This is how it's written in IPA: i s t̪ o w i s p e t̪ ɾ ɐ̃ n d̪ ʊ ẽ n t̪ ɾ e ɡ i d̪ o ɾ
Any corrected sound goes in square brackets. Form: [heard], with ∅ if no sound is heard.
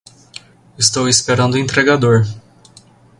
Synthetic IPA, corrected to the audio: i s t̪ o w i s p e [∅] ɾ ɐ̃ n d̪ ʊ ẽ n t̪ ɾ e ɡ [a] d̪ o ɾ